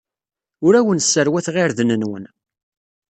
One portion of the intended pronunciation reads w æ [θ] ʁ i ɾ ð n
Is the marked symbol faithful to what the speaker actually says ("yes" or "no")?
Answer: yes